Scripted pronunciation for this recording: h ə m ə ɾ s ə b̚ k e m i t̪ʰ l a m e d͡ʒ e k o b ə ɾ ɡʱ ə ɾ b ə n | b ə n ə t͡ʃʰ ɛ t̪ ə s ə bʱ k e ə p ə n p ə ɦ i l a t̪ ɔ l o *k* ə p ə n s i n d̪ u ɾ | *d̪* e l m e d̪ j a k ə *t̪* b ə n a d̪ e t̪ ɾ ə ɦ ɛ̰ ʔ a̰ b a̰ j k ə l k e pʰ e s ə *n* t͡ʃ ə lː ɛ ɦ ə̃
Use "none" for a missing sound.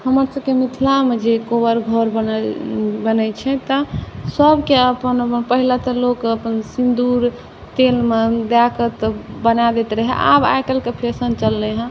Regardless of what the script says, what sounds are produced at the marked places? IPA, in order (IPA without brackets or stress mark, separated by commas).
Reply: k, t̪, t̪, n